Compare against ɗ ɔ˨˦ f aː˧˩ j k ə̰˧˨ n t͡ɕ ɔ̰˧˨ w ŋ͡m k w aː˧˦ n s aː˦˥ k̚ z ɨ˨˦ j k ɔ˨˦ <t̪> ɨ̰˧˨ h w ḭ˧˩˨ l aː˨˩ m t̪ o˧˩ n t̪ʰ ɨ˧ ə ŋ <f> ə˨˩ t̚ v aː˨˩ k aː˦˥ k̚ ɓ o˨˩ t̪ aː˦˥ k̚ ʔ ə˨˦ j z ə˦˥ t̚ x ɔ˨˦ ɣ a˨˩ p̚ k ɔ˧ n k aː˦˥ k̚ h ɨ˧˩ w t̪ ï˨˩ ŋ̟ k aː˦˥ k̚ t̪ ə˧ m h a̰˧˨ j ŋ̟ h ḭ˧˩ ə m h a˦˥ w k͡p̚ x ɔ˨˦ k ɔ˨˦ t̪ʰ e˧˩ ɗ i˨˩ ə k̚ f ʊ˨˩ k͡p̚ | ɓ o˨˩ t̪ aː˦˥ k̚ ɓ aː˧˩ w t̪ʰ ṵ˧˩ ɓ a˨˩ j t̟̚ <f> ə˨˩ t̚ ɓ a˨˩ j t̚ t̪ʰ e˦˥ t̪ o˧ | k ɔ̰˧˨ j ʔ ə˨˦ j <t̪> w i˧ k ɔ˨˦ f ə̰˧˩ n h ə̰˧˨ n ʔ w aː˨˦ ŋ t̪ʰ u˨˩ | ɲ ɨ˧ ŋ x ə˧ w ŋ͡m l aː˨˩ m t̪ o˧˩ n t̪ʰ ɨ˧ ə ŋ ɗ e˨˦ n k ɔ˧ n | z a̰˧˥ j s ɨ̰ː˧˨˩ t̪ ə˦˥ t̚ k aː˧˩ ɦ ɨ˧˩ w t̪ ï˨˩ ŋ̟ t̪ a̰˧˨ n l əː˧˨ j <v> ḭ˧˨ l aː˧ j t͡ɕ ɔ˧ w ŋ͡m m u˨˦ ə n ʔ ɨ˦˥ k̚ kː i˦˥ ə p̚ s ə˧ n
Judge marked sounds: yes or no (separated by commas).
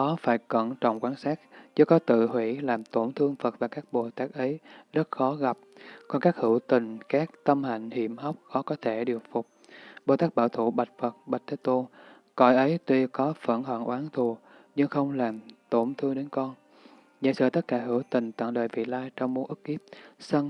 yes, yes, yes, yes, yes